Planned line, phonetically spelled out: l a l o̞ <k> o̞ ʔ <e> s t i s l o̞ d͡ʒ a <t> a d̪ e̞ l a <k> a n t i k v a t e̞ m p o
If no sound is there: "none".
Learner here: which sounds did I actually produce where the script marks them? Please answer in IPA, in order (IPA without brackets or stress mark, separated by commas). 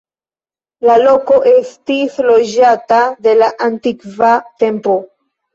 k, e, t, ʔ